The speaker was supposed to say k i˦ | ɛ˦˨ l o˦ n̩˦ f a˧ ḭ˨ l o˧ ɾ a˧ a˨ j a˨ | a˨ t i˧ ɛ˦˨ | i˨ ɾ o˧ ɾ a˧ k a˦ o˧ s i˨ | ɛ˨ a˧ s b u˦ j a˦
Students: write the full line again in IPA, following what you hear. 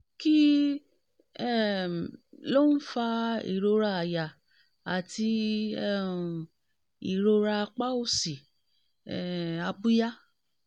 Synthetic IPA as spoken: k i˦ | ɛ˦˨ l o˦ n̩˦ f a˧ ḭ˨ ɾ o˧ ɾ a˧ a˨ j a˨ | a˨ t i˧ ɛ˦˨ | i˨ ɾ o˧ ɾ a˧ k͡p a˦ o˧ s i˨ | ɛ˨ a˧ b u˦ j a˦